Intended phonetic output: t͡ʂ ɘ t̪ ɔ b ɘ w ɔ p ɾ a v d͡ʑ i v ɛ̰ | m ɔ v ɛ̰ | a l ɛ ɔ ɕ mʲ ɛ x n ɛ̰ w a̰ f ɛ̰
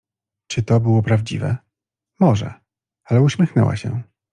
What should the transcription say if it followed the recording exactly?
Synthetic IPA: t͡ʂ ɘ t̪ ɔ b ɘ w ɔ p ɾ a v d͡ʑ i v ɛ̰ | m ɔ ʐ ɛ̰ | a l ɛ u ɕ mʲ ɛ x n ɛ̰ w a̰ ɕ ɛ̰